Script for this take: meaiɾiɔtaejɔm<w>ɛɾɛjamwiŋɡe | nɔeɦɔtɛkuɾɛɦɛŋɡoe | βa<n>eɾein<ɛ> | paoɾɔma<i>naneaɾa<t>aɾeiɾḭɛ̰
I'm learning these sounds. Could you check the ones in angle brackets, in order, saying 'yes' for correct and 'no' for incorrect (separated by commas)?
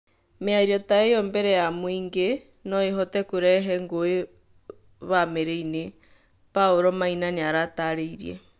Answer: no, no, no, yes, yes